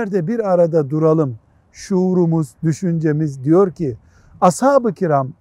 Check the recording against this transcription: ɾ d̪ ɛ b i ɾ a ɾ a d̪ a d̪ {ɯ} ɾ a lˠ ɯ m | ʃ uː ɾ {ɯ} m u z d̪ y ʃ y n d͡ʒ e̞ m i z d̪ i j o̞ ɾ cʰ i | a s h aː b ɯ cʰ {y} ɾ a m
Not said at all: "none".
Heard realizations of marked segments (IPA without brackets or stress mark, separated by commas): u, u, i